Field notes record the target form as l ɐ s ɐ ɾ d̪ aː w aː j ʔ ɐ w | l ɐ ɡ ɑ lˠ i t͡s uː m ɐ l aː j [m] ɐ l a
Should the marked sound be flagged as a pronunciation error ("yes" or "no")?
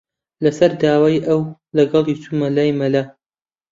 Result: no